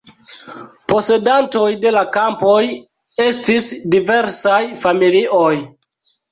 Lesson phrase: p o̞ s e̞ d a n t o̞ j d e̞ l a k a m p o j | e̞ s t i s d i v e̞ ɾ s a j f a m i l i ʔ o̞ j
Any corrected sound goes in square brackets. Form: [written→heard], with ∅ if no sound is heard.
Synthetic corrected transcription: p o̞ s e̞ d a n t o̞ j d e̞ l a k a m p o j | e̞ s t i s d i v e̞ ɾ s a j f a m i l i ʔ o̞ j